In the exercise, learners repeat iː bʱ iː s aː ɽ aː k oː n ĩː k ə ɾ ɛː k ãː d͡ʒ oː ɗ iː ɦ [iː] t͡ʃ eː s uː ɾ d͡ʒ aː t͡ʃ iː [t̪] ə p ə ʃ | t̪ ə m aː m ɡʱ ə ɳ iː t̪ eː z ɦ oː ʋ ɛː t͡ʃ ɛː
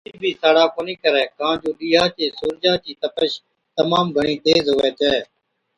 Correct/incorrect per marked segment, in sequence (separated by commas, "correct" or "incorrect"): incorrect, correct